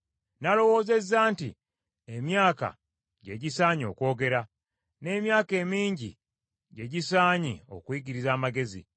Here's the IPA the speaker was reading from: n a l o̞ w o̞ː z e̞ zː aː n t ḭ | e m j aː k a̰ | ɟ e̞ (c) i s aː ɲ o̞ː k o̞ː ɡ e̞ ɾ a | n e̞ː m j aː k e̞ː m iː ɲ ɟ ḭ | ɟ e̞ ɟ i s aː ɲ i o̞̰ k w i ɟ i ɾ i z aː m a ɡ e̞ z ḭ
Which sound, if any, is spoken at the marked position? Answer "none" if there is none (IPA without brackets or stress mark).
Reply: ɟ